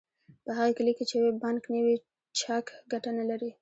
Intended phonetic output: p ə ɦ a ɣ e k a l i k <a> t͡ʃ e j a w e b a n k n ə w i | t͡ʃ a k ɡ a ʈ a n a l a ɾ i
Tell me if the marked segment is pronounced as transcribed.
no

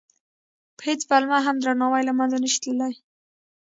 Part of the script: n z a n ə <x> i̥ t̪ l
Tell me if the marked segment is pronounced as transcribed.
no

